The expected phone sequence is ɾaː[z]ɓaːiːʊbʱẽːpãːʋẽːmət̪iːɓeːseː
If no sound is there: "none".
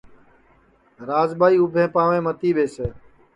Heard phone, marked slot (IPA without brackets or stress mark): z